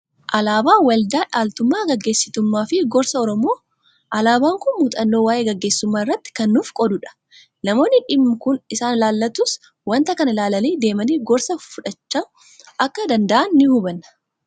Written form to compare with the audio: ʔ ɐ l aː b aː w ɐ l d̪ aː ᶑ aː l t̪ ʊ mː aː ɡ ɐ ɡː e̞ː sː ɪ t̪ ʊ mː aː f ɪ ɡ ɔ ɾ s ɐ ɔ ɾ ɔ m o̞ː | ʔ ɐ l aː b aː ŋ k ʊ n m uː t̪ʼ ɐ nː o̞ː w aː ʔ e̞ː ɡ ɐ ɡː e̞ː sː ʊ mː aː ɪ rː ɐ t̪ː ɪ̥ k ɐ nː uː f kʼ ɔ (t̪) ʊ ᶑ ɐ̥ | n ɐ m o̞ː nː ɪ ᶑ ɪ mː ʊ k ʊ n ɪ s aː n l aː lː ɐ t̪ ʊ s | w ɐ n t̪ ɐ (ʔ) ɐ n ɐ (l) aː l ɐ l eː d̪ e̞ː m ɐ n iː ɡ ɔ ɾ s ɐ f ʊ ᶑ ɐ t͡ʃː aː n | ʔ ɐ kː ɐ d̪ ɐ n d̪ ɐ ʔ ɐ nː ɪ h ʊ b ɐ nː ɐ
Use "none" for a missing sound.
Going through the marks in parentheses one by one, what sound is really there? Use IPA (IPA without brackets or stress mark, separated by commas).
d̪, k, l